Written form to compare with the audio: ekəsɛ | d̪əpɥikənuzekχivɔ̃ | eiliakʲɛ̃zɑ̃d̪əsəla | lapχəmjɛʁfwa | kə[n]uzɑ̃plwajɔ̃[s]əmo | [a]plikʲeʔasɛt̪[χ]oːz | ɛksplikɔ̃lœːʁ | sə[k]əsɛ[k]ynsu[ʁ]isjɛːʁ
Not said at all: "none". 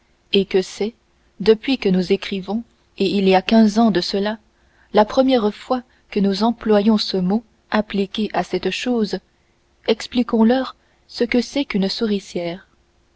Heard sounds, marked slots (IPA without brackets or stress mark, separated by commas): n, s, a, ʃ, k, k, ʁ